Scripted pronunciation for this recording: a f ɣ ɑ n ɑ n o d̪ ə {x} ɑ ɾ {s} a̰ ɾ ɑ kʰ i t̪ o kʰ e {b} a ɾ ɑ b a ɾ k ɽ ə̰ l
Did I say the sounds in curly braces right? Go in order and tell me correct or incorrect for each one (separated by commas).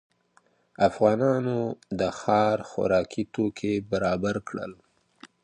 correct, incorrect, correct